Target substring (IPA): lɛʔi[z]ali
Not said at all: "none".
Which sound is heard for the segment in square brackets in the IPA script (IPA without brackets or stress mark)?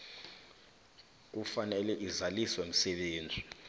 z